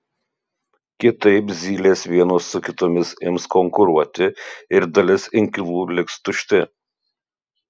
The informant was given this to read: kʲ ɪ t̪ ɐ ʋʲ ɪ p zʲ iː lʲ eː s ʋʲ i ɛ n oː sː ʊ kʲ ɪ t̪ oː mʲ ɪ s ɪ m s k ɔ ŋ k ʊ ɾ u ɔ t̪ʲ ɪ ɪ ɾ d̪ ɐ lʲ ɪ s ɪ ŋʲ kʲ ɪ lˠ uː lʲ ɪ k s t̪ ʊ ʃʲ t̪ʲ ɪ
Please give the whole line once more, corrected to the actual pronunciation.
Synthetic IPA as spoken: kʲ ɪ t̪ ɐ ɪ p zʲ iː lʲ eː s ʋʲ i ɛ n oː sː ʊ kʲ ɪ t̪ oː mʲ ɪ s ɪ m s k ɔ ŋ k ʊ ɾ u ɔ t̪ʲ ɪ ɪ ɾ d̪ ɐ lʲ ɪ s ɪ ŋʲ kʲ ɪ lˠ uː lʲ ɪ k s t̪ ʊ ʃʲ t̪ʲ ɪ